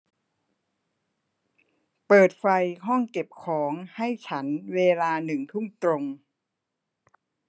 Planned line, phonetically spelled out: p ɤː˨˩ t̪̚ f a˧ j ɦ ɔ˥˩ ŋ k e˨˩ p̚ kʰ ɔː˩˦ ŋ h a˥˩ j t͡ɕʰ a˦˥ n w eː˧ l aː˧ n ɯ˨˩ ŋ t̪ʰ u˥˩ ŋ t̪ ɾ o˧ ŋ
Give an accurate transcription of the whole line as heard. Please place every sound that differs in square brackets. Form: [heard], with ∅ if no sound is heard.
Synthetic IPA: p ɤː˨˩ t̪̚ f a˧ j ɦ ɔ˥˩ ŋ k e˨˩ p̚ kʰ ɔː˩˦ ŋ h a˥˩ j t͡ɕʰ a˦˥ n w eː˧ l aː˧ n ɯ˨˩ ŋ t̪ʰ u˥˩ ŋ t̪ ɾ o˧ ŋ